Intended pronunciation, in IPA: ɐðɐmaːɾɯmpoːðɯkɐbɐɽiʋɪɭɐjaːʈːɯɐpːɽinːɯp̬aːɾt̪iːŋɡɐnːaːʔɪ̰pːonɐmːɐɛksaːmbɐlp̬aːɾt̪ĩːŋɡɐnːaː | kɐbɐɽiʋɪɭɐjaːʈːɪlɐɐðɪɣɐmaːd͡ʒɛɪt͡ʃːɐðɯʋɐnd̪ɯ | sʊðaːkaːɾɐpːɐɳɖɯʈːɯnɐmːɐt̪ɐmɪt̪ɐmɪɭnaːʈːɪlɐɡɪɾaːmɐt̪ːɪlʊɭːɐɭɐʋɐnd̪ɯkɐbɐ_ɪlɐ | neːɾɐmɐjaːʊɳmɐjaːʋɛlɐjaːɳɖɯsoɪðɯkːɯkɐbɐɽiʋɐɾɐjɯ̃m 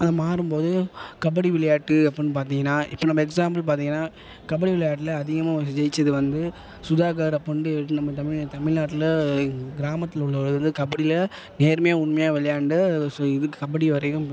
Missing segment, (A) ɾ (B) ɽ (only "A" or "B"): B